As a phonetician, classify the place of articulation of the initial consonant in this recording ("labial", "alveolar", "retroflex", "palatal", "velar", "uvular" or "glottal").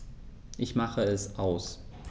glottal